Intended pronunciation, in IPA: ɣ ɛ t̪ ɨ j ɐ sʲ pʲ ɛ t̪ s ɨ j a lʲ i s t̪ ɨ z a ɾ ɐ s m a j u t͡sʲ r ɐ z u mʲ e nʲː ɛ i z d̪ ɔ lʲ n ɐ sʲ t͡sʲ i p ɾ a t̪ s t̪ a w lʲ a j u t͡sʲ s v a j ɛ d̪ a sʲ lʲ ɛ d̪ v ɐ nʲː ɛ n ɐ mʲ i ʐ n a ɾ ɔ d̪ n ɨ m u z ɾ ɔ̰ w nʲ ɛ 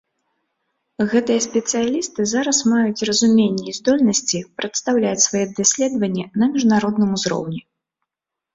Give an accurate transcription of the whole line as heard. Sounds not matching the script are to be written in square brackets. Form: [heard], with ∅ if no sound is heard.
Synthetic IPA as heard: ɣ ɛ t̪ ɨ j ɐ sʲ pʲ ɛ t̪ s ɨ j a lʲ i s t̪ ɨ z a ɾ ɐ s m a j u t͡sʲ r ɐ z u mʲ e nʲː ɛ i z d̪ ɔ lʲ n ɐ sʲ t͡sʲ i p ɾ [ɐ] t̪ s t̪ a w lʲ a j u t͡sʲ s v a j ɛ d̪ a sʲ lʲ ɛ d̪ v ɐ nʲː ɛ n ɐ mʲ i ʐ n a ɾ ɔ d̪ n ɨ m u z ɾ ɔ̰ w nʲ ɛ